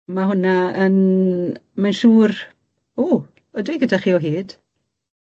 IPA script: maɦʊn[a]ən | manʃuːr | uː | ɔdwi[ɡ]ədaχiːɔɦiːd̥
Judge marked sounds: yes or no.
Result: yes, yes

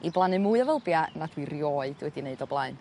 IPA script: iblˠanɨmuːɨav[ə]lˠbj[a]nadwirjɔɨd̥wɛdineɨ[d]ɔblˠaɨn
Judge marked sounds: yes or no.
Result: yes, yes, yes

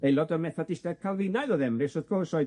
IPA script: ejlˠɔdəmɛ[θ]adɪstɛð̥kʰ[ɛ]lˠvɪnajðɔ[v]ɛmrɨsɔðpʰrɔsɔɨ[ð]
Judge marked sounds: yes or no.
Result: yes, no, no, no

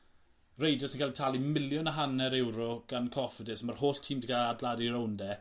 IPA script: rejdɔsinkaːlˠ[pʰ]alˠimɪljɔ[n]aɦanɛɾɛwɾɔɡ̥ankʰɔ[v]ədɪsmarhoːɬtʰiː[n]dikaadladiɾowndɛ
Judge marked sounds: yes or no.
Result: no, yes, no, no

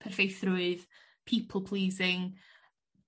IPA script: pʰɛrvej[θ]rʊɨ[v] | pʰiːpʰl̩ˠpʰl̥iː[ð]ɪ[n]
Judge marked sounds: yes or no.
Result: yes, no, no, no

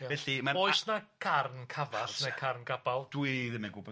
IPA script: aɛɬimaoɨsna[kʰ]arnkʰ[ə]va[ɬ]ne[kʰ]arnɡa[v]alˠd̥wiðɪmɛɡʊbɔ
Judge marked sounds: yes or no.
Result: yes, no, yes, yes, no

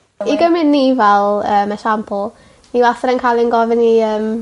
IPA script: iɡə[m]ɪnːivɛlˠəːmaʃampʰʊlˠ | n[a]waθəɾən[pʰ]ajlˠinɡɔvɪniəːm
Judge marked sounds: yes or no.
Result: yes, no, no

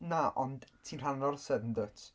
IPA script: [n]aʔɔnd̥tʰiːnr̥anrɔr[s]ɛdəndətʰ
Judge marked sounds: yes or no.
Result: yes, yes

